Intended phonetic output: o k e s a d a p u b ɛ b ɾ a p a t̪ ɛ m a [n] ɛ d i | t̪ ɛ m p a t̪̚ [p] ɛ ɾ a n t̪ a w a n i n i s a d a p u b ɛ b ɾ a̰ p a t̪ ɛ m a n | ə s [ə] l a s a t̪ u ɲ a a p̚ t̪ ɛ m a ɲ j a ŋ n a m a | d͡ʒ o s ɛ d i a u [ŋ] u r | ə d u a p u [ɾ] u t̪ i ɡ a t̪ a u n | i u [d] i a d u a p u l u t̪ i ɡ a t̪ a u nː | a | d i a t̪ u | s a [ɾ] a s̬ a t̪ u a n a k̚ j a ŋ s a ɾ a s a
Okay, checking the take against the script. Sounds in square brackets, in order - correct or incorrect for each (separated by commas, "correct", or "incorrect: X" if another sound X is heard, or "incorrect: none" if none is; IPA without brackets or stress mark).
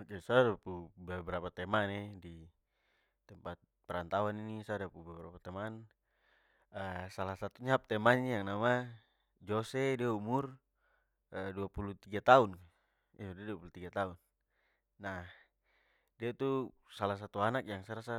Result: correct, correct, incorrect: a, incorrect: m, incorrect: l, correct, incorrect: l